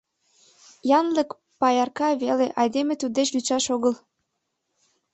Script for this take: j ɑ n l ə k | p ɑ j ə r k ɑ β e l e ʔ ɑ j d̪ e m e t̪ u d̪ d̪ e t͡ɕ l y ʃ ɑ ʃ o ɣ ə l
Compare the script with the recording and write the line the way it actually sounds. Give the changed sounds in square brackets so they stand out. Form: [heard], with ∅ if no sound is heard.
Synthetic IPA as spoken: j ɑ n l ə k | p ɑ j [ɑ] r k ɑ β e l e ʔ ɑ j d̪ e m e t̪ u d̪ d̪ e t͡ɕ l y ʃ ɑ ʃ o ɣ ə l